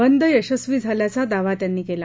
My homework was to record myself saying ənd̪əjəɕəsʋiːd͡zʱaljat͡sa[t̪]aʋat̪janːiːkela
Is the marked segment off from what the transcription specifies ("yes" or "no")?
yes